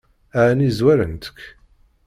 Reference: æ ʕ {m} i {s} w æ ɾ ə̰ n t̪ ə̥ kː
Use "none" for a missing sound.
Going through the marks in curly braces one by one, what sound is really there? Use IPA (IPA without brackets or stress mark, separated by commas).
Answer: n, z